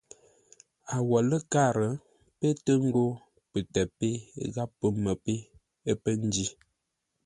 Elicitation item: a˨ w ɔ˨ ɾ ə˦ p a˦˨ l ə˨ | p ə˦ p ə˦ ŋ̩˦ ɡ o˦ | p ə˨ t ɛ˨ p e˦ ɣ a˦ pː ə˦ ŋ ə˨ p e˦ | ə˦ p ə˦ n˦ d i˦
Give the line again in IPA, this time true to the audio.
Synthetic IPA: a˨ w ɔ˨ l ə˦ k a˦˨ ɾ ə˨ | p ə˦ t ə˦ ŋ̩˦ ɡ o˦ | p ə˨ t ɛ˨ p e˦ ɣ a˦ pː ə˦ m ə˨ p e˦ | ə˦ p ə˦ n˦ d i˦